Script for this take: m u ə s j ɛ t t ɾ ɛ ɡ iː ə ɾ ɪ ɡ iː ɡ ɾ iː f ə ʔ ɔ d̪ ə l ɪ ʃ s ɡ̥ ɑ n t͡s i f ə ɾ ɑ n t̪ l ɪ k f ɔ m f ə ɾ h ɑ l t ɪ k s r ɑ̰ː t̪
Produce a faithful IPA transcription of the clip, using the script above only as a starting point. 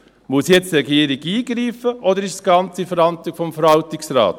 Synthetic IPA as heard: m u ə s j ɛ t͡s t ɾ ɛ ɡ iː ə ɾ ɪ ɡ iː ɡ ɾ iː f ə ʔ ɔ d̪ ə ɾ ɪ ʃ s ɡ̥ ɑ n t͡s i f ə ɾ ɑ n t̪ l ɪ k f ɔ m f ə ɾ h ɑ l t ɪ k s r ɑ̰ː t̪

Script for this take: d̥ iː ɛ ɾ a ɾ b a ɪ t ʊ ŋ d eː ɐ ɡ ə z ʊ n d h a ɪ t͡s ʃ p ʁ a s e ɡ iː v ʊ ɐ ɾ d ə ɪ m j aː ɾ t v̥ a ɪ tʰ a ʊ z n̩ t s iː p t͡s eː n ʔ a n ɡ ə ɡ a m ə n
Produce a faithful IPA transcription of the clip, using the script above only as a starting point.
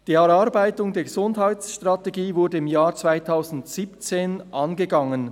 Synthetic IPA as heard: d̥ iː ɛ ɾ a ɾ b a ɪ t ʊ ŋ d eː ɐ ɡ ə z ʊ n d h a ɪ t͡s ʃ t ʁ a t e ɡ iː v ʊ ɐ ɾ d ə ɪ m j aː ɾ t͡s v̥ a ɪ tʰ a ʊ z n̩ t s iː p t͡s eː n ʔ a n ɡ ə ɡ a ŋ ə n

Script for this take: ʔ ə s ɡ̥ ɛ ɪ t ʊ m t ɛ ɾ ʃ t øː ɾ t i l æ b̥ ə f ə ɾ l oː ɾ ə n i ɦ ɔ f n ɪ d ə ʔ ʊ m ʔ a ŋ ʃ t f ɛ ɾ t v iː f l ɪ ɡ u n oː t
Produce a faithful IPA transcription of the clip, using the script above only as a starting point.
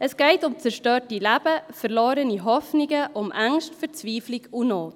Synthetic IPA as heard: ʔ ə s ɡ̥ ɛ ɪ t ʊ m t͡s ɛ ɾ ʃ t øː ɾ t i l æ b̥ ə f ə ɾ l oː ɾ ə n i ɦ ɔ f n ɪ ɡ ə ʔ ʊ m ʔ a ŋ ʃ t f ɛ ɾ t͡s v iː f l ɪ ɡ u n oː t

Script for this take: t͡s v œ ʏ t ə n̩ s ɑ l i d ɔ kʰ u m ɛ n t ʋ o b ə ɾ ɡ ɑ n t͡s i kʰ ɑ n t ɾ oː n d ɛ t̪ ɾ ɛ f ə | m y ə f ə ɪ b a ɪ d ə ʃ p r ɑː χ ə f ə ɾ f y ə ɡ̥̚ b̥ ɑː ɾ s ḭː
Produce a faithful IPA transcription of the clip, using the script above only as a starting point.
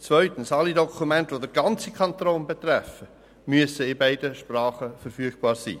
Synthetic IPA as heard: t͡s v œ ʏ t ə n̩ s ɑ l i d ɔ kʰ u m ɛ n t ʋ o d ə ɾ ɡ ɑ n t͡s i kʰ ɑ n t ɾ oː n b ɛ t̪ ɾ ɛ f ə | m y ə s ə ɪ b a ɪ d ə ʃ p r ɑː χ ə f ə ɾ f y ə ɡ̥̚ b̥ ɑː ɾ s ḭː

